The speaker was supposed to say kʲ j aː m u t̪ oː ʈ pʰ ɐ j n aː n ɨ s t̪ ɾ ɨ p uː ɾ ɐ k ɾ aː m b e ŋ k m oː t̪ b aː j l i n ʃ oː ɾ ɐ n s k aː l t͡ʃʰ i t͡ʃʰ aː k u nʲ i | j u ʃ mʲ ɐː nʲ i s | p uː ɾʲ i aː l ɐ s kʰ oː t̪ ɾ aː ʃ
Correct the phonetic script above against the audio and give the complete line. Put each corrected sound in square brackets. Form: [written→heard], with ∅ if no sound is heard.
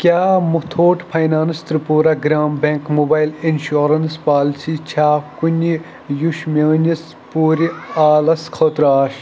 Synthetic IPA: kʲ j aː m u [t̪→t̪ʰ] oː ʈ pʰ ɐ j n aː n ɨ s t̪ ɾ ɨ p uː ɾ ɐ [k→ɡ] ɾ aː m b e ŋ k m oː [t̪→∅] b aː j l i n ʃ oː ɾ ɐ n s [k→p] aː l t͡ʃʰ i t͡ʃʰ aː k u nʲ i | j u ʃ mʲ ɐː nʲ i s | p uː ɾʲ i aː l ɐ s kʰ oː t̪ ɾ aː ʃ

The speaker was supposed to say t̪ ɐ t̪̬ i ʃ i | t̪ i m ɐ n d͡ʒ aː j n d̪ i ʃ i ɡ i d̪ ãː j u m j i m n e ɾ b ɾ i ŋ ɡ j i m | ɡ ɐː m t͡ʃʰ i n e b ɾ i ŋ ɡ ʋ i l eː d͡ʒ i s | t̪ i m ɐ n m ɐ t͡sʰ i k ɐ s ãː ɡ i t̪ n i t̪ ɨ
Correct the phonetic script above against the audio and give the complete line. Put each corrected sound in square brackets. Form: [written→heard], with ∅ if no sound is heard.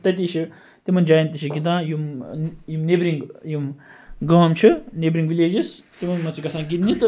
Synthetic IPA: t̪ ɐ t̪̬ i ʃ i | t̪ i m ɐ n d͡ʒ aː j n [d̪→t̪] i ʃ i ɡ i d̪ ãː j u m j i m n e [ɾ→∅] b ɾ i ŋ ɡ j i m | ɡ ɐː m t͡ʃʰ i n e b ɾ i ŋ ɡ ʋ i l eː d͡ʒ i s | t̪ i m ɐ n m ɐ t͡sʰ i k ɐ s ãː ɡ i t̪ n i t̪ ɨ

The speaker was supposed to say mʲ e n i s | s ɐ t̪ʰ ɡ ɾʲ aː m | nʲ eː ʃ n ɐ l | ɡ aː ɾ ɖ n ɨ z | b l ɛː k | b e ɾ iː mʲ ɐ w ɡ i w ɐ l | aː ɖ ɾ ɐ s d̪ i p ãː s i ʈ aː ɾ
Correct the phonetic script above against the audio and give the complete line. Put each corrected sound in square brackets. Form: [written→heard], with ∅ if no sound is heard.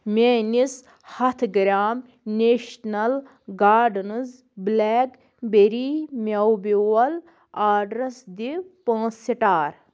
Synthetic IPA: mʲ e n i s | [s→h] ɐ t̪ʰ ɡ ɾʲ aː m | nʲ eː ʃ n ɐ l | ɡ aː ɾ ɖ n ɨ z | b l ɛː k | b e ɾ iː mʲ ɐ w [ɡ→b] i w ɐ l | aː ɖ ɾ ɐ s d̪ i p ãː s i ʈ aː ɾ

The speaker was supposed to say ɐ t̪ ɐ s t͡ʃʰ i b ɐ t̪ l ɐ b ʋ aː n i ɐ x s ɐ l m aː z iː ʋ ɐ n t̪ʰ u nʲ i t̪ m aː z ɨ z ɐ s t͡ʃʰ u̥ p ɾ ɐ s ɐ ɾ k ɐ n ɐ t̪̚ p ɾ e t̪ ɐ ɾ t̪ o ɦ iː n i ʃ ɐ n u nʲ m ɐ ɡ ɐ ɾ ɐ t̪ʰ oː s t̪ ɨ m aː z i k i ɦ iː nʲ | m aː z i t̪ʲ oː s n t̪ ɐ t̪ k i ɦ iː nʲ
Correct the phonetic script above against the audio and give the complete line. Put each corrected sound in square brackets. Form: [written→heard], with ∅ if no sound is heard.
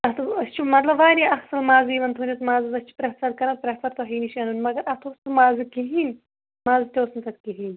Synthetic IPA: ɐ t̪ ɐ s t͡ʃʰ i [b→m] ɐ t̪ l ɐ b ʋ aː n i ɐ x s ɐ l m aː z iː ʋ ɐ n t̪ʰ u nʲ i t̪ m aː z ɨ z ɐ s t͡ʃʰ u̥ p ɾ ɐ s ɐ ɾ k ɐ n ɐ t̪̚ p ɾ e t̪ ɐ ɾ t̪ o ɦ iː n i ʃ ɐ n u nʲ m ɐ ɡ ɐ ɾ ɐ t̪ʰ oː s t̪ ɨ m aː z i k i ɦ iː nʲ | m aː z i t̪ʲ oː s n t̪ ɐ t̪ k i ɦ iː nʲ

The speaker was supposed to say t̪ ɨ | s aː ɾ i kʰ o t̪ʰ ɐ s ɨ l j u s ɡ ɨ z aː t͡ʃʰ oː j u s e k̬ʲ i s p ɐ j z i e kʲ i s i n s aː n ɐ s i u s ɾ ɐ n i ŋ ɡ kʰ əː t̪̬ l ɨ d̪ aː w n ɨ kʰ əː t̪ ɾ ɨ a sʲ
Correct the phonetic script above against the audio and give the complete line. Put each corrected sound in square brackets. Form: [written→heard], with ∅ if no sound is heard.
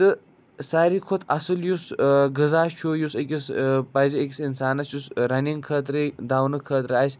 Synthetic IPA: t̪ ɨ | s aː ɾ i kʰ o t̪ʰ ɐ s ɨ l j u s ɡ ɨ z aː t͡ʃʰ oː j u s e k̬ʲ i s p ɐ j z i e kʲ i s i n s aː n ɐ s [i→j] u s ɾ ɐ n i ŋ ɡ kʰ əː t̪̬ [l→ɾ] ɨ d̪ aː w n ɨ kʰ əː t̪ ɾ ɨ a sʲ

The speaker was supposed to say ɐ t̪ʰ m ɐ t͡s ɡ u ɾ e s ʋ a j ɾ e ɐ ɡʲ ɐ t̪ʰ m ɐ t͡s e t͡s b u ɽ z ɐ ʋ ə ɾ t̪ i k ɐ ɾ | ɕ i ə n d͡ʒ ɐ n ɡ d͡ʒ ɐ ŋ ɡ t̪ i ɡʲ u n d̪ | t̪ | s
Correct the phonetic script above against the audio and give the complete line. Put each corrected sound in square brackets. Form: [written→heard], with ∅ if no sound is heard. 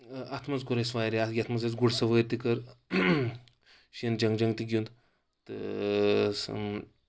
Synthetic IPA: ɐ t̪ʰ m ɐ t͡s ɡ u ɾ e s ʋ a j ɾ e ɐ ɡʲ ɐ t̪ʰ m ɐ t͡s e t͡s [b→ɡ] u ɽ [z→s] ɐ ʋ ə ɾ t̪ i k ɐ ɾ | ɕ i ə n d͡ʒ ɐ [n→ŋ] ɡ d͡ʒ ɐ ŋ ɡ t̪ i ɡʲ u n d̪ | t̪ | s

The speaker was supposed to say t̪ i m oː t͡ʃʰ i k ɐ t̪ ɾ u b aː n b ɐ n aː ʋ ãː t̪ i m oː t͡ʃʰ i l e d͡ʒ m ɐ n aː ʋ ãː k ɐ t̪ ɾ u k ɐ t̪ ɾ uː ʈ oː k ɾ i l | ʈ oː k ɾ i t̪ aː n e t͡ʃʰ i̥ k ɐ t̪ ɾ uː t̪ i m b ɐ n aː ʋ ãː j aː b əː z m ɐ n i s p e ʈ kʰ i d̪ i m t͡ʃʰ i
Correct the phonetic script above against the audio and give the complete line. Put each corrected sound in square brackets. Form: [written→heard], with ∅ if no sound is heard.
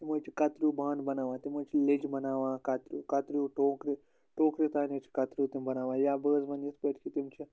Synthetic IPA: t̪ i m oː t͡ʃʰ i k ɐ t̪ ɾ u b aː n b ɐ n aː ʋ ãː t̪ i m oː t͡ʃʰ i l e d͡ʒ [m→b] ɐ n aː ʋ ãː k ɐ t̪ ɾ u k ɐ t̪ ɾ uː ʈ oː k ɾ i [l→∅] | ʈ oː k ɾ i t̪ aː n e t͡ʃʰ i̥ k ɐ t̪ ɾ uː t̪ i m b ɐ n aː ʋ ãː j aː b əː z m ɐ n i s p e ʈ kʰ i [d̪→t̪] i m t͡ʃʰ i

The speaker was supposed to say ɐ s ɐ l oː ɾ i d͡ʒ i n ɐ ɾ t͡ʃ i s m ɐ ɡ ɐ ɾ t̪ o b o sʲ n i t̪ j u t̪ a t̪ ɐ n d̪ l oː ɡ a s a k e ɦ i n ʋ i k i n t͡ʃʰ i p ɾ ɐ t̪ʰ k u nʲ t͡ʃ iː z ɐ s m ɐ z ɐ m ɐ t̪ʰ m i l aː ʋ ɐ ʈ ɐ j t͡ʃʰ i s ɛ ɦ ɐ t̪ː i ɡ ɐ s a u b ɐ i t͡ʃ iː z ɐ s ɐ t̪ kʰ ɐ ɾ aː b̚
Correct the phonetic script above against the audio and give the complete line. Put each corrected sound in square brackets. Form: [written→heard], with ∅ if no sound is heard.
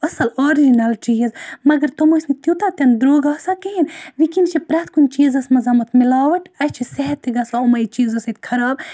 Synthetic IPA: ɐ s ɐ l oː ɾ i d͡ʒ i n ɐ [ɾ→l] t͡ʃ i [s→z] m ɐ ɡ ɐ ɾ t̪ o [b→m] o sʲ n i t̪ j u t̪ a t̪ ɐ n d̪ [l→ɾ] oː ɡ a s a k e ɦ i n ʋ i k i n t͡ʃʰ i p ɾ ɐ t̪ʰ k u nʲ t͡ʃ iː z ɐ s m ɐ z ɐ m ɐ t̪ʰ m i l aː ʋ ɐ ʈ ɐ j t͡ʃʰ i s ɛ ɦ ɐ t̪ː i ɡ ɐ s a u [b→m] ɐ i t͡ʃ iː z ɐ s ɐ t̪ kʰ ɐ ɾ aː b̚

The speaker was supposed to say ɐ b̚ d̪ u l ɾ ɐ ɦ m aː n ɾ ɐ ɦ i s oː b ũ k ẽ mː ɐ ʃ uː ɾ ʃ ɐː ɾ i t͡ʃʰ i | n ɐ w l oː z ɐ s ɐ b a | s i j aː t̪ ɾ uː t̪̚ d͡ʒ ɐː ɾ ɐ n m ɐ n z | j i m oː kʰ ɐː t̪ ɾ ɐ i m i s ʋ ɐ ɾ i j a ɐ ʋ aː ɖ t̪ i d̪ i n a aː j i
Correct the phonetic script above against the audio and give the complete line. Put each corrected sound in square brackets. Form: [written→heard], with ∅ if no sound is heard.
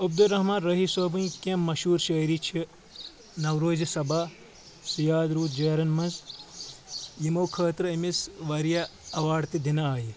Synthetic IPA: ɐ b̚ d̪ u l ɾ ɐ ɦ m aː n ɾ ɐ ɦ i s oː b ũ k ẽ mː ɐ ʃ uː ɾ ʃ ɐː ɾ i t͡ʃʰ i | n ɐ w [l→ɾ] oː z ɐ s ɐ b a | s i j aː [t̪→d̪] ɾ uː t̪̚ d͡ʒ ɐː ɾ ɐ n m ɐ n z | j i m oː kʰ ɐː t̪ ɾ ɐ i m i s ʋ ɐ ɾ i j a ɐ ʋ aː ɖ t̪ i d̪ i n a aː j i

